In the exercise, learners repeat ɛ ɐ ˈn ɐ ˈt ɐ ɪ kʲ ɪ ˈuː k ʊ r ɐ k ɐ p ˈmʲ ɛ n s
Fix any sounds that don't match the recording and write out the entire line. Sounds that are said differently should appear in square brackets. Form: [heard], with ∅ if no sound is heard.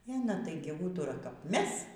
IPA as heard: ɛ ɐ ˈn ɐ ˈt ɐ ɪ [ɡʲ] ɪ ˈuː [t] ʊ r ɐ k ɐ p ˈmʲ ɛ [∅] s

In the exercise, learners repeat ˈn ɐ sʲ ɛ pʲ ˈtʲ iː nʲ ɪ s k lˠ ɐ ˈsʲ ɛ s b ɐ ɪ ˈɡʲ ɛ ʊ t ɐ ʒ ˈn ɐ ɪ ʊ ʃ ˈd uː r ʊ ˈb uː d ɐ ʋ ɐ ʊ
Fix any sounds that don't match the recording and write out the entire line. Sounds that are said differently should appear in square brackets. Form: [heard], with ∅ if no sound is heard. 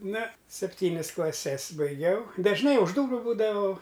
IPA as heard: ˈn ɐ sʲ ɛ pʲ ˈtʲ iː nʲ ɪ s k lˠ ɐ ˈsʲ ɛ s b ɐ ɪ ˈɡʲ ɛ ʊ [d] ɐ ʒ ˈn ɐ ɪ ʊ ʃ ˈd uː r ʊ ˈb uː d ɐ ʋ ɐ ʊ

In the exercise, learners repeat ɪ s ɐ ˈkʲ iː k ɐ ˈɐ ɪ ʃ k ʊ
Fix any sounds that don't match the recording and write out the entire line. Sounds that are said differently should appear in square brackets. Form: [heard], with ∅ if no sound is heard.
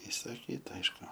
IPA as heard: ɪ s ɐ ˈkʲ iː [t] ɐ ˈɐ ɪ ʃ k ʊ

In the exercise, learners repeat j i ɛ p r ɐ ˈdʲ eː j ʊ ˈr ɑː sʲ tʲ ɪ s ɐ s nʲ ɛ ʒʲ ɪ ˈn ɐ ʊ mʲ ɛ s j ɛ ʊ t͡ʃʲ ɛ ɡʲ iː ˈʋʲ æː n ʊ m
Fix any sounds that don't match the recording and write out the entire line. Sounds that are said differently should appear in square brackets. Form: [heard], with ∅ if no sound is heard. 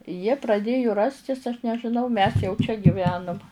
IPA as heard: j i ɛ p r ɐ ˈdʲ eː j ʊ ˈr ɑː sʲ tʲ ɪ s ɐ [ʃ] nʲ ɛ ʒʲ ɪ ˈn ɐ ʊ mʲ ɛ s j ɛ ʊ t͡ʃʲ ɛ ɡʲ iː ˈʋʲ æː n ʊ m

